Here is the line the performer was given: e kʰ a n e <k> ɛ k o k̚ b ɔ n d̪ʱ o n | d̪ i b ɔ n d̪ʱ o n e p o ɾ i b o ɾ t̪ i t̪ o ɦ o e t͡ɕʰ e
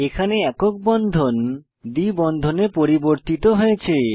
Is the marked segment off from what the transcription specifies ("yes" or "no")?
yes